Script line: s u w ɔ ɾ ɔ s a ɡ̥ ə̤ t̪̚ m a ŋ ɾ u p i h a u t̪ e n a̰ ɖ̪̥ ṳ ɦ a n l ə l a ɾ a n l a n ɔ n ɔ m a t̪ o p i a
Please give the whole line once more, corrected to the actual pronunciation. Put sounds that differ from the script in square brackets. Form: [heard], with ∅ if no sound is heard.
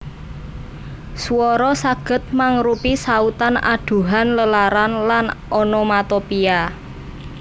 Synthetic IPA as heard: s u w ɔ ɾ ɔ s a ɡ̥ ə̤ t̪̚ m a ŋ ɾ u p i [s] a u t̪ [a] n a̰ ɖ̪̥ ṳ ɦ a n l ə l a ɾ a n l a n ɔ n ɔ m a t̪ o p i a

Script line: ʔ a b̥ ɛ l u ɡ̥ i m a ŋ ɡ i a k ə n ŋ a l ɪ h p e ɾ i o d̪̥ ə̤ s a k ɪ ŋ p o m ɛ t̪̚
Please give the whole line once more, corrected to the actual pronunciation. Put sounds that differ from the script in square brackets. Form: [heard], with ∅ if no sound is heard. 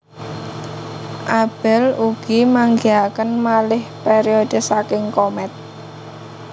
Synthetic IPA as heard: ʔ a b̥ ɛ l u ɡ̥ i m a ŋ ɡ i a k ə n [m] a l ɪ h p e ɾ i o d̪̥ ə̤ s a k ɪ ŋ [k] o m ɛ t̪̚

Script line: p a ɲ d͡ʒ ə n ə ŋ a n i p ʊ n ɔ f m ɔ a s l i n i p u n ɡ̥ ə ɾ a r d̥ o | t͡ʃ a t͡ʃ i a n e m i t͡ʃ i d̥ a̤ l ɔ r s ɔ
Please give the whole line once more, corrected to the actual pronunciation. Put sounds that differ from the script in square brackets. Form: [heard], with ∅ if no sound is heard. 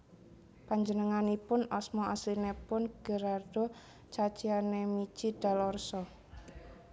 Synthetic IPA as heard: p a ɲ d͡ʒ ə n ə ŋ a n i p ʊ n ɔ [s] m ɔ a s l i n [e] p [ʊ] n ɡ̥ ə ɾ a r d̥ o | t͡ʃ a t͡ʃ i a n e m i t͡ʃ i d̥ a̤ l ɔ r s ɔ

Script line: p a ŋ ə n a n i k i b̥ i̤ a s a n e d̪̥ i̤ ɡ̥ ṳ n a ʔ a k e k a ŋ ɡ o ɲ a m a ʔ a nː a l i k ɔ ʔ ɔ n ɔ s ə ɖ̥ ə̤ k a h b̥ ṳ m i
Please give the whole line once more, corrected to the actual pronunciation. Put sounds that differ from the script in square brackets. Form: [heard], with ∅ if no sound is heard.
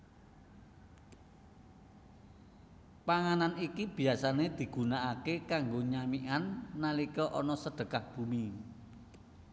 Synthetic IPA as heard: p a ŋ [a] n a n i k i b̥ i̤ a s a n e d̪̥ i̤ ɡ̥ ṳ n a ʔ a k e k a ŋ ɡ o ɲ a m [i] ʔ a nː a l i k ɔ ʔ ɔ n ɔ s ə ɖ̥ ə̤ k a h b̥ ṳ m i

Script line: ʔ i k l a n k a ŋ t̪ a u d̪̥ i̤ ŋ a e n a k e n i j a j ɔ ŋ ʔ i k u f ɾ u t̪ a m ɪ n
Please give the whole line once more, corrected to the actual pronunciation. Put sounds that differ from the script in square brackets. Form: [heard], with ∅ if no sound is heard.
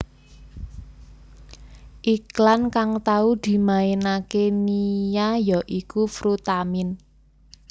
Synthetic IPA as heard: ʔ i k l a n k a ŋ t̪ a u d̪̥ i̤ [m] a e n a k e n i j a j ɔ [∅] ʔ i k u f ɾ u t̪ a m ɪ n

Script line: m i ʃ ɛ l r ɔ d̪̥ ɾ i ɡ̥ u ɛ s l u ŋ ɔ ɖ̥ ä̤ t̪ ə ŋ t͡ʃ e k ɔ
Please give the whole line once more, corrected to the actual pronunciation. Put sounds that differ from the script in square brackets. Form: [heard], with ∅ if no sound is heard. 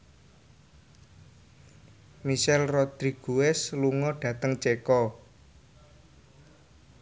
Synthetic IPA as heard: m i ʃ ɛ l r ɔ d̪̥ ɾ i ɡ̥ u ɛ s l u ŋ ɔ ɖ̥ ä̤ t̪ ə ŋ t͡ʃ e k ɔ

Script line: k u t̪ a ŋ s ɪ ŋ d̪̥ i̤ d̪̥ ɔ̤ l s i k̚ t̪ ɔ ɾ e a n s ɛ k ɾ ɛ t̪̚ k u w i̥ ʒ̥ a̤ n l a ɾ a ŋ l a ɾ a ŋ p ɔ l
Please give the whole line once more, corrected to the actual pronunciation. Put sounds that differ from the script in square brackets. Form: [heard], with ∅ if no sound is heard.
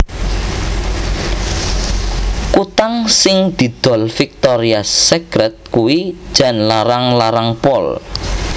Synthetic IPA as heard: k u t̪ a ŋ s ɪ ŋ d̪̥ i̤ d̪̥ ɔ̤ l [f] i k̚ t̪ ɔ ɾ [i] a [∅] s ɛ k ɾ ɛ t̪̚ k u w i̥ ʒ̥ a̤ n l a ɾ a ŋ l a ɾ a ŋ p ɔ l

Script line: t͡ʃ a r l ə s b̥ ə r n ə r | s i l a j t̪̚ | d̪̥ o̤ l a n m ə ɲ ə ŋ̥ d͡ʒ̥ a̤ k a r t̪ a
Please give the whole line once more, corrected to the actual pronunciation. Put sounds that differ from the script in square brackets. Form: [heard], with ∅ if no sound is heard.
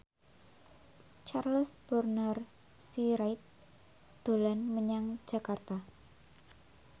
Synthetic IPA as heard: t͡ʃ a r l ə s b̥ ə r n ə r | s i [ɾ] a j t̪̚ | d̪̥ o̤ l a n m ə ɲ [a] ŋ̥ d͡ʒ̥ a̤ k a r t̪ a

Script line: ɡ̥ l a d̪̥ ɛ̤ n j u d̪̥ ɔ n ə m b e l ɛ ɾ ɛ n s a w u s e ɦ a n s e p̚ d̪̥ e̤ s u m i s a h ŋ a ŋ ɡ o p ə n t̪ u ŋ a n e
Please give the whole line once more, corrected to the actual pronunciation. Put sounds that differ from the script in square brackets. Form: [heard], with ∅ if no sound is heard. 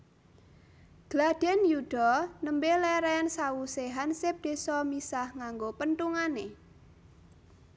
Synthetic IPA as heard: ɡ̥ l a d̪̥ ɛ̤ n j u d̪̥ ɔ n ə m b e l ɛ ɾ ɛ n s a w u s e ɦ a n s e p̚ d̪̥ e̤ s [ɔ] m i s a h ŋ a ŋ ɡ o p ə n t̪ u ŋ a n e

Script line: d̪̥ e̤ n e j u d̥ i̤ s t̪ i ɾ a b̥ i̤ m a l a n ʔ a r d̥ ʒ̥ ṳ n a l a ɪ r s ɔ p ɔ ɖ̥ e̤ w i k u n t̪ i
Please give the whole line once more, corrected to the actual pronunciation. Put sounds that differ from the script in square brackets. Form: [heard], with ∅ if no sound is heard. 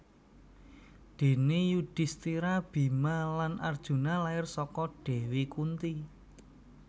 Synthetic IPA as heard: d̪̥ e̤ n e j u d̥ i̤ s t̪ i ɾ a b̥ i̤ m a l a n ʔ a r d̥ ʒ̥ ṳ n a l a ɪ r s ɔ [k] ɔ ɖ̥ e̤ w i k u n t̪ i

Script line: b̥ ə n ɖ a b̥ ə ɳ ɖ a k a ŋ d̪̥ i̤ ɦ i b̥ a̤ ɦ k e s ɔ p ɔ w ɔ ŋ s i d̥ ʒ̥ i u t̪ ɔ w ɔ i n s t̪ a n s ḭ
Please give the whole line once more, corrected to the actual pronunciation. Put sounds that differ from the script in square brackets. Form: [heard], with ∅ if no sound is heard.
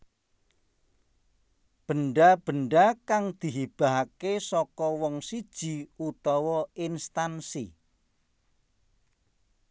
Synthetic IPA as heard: b̥ ə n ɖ a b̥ ə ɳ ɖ a k a ŋ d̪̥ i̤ ɦ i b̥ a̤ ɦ k e s ɔ [k] ɔ w ɔ ŋ s i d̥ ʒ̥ i u t̪ ɔ w ɔ i n s t̪ a n s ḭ

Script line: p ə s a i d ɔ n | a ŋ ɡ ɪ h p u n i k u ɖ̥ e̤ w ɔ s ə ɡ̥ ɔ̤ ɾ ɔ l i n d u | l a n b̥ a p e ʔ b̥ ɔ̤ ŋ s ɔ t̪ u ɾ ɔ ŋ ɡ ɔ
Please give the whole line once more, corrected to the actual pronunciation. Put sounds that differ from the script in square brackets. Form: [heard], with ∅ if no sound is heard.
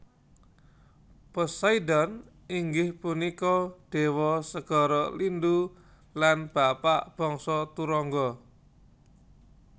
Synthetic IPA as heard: p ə s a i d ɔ n | [i] ŋ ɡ ɪ h p u n i k [ɔ] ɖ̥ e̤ w ɔ s ə ɡ̥ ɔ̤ ɾ ɔ l i n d u | l a n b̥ a p [a] ʔ b̥ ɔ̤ ŋ s ɔ t̪ u ɾ ɔ ŋ ɡ ɔ

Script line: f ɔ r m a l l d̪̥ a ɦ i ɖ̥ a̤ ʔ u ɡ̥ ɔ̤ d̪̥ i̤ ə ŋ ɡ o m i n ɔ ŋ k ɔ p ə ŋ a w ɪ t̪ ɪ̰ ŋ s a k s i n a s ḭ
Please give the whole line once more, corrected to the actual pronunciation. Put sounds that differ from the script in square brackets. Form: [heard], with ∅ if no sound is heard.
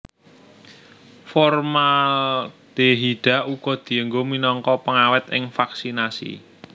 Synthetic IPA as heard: f ɔ r m a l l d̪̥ [e] ɦ i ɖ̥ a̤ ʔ u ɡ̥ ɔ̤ d̪̥ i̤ ə ŋ ɡ o m i n ɔ ŋ k ɔ p ə ŋ a w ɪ t̪ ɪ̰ ŋ [f] a k s i n a s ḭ

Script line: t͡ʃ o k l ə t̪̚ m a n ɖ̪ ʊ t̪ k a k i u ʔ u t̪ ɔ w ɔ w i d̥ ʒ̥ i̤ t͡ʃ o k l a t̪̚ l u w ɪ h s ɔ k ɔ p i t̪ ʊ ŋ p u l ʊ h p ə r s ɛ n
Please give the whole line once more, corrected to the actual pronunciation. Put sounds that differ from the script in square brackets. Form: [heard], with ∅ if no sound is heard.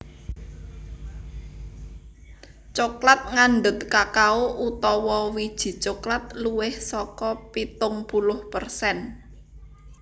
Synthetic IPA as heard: t͡ʃ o k l [a] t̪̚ [ŋ] a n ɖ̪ ʊ t̪ k a k [a] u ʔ u t̪ ɔ w ɔ w i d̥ ʒ̥ i̤ t͡ʃ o k l a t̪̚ l u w ɪ h s ɔ k ɔ p i t̪ ʊ ŋ p u l ʊ h p ə r s ɛ n

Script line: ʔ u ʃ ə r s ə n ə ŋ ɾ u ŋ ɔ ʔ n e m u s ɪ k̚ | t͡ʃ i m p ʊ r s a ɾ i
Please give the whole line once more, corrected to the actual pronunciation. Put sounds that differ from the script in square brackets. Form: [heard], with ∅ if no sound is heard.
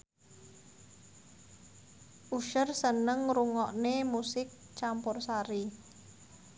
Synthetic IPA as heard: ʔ u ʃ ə r s ə n ə ŋ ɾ u ŋ ɔ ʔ n e m u s ɪ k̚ | t͡ʃ [a] m p ʊ r s a ɾ i

